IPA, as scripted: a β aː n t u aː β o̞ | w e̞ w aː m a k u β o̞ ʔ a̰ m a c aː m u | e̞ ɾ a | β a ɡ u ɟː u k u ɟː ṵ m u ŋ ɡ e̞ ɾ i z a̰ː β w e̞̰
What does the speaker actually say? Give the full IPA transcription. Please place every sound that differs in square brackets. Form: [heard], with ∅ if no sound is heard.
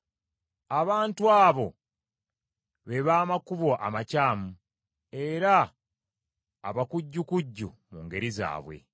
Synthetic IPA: a β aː n t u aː β o̞ | [β] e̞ [β] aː m a k u β o̞ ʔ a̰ m a c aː m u | e̞ ɾ a | β a [k] u ɟː u k u ɟː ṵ m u ŋ ɡ e̞ ɾ i z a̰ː β w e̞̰